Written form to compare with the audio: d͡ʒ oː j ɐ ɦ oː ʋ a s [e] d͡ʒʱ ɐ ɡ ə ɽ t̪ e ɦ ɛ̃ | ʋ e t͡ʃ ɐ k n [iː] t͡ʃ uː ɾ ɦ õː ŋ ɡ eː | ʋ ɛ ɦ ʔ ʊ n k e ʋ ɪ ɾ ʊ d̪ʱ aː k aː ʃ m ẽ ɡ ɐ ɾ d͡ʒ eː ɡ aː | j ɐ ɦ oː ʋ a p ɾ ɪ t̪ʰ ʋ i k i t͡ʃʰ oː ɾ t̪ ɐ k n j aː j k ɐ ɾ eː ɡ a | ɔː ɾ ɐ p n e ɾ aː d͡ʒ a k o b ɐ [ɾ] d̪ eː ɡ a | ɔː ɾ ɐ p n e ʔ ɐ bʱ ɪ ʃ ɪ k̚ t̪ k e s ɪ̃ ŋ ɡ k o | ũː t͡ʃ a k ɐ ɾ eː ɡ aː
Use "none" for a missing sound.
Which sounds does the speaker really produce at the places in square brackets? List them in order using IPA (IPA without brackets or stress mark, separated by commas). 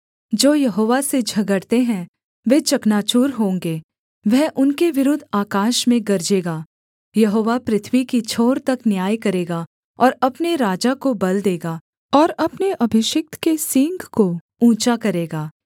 e, aː, l